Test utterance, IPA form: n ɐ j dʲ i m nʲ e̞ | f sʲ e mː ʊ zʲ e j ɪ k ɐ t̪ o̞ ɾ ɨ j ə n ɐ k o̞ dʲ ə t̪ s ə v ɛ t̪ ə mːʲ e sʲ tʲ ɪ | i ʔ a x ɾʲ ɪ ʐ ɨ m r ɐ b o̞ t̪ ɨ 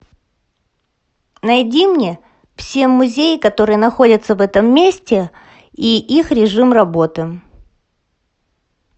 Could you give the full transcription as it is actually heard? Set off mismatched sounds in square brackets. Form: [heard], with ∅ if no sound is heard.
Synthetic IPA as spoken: n ɐ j dʲ i m nʲ e̞ | f sʲ e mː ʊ zʲ e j ɪ k ɐ t̪ o̞ ɾ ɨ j ə n ɐ [x] o̞ dʲ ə t̪ s ə v ɛ t̪ ə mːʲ e sʲ tʲ ɪ | i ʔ [i] x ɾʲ ɪ ʐ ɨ m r ɐ b o̞ t̪ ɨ